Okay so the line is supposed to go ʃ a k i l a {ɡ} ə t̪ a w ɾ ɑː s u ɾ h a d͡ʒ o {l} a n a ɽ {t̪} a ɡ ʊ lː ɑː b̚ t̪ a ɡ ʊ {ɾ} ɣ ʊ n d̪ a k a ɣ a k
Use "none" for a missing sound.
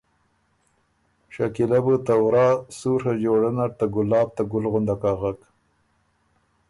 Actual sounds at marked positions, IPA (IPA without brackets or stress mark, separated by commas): b, ɽ, t̪, l